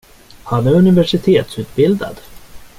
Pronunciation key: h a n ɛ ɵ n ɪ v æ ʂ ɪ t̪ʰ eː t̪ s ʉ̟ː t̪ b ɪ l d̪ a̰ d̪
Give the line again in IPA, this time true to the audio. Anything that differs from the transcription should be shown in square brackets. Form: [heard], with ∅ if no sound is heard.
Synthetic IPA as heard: h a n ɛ ɵ n ɪ v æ ʂ ɪ t̪ʰ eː t̪ s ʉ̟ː t̪ b ɪ l d̪ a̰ d̪

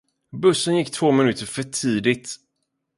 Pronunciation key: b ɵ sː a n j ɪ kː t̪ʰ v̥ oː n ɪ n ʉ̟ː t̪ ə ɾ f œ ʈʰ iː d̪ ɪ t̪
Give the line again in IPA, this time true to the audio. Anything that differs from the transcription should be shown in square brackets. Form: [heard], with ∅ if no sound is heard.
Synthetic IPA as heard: b ɵ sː [ə] n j ɪ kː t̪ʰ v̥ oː [m] ɪ n ʉ̟ː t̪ ə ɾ f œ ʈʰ iː d̪ ɪ t̪

